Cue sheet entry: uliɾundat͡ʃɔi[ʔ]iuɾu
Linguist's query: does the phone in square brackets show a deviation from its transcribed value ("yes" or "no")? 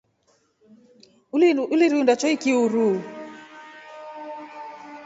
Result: yes